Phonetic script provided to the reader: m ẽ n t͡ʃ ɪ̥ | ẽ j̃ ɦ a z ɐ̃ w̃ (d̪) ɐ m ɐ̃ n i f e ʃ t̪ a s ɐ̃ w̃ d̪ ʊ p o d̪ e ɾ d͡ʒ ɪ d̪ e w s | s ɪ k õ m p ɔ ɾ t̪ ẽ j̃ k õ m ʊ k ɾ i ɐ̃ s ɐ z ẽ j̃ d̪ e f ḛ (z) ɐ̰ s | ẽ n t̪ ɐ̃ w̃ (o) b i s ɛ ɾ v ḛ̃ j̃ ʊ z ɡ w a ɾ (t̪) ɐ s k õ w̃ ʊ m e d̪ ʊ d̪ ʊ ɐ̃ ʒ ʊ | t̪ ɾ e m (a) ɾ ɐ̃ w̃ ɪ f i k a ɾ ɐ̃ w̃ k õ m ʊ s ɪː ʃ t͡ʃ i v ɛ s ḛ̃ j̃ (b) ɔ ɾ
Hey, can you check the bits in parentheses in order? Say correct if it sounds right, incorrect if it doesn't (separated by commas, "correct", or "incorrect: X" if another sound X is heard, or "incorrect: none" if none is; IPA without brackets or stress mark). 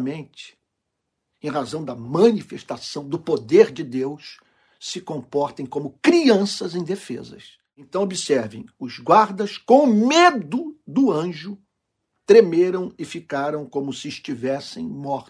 correct, correct, correct, incorrect: d̪, incorrect: e, incorrect: m